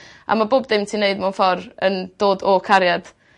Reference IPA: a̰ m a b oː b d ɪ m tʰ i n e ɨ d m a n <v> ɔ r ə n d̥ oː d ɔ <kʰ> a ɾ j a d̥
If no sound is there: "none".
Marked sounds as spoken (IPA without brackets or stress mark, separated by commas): f, kʰ